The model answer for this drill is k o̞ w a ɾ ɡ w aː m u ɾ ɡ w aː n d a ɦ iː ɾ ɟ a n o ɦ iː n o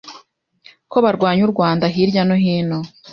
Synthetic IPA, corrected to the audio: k o̞ β a ɾ ɡ w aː ɲ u ɾ ɡ w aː n d a ɦ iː ɾ ɟ a n o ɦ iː n o